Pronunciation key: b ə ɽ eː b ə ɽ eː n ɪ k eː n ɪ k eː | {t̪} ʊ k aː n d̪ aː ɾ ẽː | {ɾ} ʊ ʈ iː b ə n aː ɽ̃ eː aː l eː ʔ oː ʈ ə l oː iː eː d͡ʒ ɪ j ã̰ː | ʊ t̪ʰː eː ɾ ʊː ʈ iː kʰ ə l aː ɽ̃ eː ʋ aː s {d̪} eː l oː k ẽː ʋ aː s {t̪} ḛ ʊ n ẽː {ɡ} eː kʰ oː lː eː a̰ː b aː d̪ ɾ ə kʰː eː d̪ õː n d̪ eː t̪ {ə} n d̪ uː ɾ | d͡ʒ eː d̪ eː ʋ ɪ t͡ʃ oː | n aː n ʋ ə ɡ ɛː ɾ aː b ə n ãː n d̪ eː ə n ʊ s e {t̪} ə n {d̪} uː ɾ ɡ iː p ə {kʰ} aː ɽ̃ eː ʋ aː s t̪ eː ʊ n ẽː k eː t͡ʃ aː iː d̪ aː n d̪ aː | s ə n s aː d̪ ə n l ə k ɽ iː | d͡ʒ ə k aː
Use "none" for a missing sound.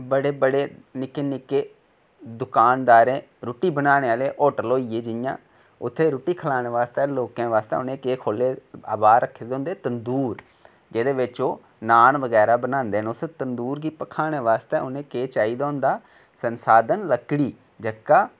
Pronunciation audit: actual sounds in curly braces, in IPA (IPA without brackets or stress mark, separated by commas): d̪, ɾ, t̪, t̪, k, ə, t̪, d̪, kʰ